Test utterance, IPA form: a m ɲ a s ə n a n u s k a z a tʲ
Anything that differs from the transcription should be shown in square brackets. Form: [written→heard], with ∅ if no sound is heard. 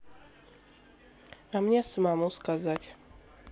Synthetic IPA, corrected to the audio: a m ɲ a s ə [n→m] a [n→m] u s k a z a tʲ